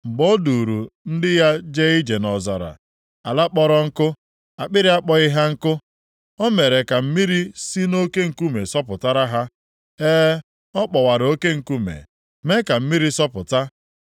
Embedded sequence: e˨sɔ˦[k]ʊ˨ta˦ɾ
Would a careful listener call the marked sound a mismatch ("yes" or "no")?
yes